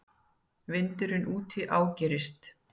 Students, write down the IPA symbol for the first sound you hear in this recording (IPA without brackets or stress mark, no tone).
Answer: v